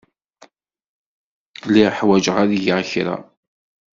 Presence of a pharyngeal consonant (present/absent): present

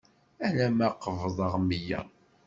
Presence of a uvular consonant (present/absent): present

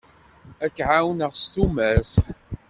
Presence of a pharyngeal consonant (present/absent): present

